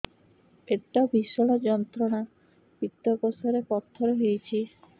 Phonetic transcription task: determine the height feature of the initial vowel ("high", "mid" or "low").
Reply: mid